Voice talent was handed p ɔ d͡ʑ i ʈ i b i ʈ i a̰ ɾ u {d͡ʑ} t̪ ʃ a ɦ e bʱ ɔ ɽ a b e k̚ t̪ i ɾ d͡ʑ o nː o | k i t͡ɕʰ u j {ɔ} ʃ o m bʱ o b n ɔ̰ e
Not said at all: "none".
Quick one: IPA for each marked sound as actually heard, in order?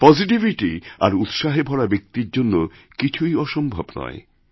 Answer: none, ɔ

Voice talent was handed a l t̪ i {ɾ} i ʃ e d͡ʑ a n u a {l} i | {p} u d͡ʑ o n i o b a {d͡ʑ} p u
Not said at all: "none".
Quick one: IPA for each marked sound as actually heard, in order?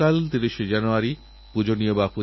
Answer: ɾ, ɾ, p, none

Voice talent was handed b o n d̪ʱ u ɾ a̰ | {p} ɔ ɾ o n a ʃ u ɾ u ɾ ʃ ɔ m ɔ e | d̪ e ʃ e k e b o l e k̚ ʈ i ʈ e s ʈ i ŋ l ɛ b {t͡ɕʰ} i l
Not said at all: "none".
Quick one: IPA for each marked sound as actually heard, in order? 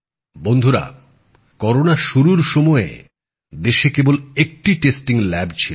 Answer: k, t͡ɕʰ

